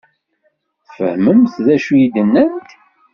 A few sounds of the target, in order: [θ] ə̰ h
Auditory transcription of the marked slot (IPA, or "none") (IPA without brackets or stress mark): f